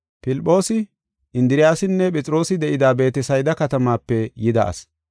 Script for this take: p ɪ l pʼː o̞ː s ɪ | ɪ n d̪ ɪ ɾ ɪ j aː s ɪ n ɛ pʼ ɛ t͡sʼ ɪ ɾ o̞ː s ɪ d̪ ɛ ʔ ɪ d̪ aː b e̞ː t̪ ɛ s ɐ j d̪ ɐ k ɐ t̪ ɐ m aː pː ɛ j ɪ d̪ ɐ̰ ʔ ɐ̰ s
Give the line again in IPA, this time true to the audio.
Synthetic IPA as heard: p ɪ l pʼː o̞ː s ɪ | ɪ n d̪ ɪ ɾ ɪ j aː s ɪ nː ɛ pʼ ɛ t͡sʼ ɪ ɾ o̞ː s ɪ d̪ ɛ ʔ ɪ d̪ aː b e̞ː t̪ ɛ s ɐ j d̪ ɐ k ɐ t̪ ɐ m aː pː ɛ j ɪ d̪ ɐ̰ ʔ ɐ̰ s